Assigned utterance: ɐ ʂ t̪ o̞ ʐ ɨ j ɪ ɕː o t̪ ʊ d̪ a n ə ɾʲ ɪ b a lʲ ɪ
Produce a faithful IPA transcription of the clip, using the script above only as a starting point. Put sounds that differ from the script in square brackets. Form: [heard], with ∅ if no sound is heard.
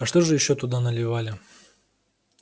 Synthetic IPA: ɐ ʂ t̪ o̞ ʐ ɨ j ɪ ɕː o t̪ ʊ d̪ a n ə [lʲ] ɪ [v] a lʲ ɪ